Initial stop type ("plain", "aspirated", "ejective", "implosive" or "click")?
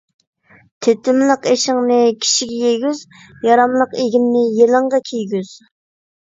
aspirated